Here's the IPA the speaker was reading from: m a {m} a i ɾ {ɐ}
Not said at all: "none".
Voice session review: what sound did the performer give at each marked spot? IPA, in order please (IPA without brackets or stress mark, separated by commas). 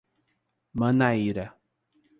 n, a